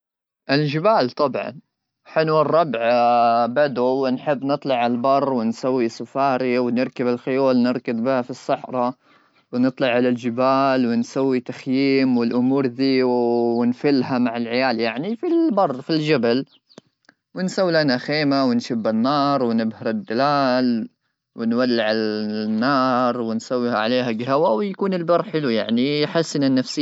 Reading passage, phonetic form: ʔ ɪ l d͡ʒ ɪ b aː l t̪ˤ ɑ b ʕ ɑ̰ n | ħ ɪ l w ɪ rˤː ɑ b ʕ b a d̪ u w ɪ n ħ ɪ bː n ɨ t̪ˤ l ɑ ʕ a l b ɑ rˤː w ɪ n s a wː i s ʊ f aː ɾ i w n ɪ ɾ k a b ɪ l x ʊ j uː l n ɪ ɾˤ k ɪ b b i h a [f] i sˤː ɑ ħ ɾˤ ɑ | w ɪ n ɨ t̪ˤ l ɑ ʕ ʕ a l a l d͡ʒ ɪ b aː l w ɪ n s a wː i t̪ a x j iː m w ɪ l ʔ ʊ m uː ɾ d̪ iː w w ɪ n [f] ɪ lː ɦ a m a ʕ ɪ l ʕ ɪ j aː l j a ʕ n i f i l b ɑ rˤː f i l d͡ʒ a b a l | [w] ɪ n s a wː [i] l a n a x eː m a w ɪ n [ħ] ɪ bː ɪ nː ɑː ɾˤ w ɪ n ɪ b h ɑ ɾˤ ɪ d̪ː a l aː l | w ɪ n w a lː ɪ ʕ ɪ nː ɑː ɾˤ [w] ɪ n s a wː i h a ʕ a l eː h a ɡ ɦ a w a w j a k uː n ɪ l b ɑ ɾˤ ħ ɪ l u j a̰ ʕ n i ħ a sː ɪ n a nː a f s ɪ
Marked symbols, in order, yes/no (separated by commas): yes, yes, yes, yes, no, yes